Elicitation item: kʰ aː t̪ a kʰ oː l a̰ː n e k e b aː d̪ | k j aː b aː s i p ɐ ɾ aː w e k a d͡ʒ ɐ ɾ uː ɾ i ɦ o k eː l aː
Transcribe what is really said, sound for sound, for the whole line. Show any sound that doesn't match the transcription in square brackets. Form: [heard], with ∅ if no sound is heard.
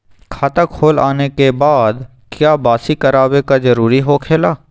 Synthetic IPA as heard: kʰ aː t̪ a kʰ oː l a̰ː n e k e b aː d̪ | k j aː b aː s i [k] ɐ ɾ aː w e k a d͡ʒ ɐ ɾ uː ɾ i ɦ o [kʰ] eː l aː